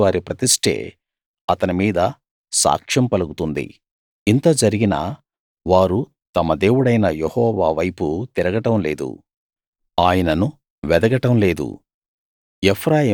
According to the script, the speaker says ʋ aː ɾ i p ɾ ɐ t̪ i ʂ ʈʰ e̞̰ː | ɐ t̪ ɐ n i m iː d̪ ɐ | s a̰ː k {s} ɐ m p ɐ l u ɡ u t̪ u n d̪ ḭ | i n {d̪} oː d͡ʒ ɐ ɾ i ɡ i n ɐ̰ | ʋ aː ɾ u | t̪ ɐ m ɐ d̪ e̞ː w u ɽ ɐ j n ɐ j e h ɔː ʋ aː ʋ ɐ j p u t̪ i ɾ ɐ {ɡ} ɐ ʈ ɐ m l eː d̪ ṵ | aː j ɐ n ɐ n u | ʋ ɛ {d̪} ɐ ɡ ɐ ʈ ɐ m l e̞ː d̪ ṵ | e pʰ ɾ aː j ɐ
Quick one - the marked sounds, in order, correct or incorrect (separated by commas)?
incorrect, incorrect, correct, correct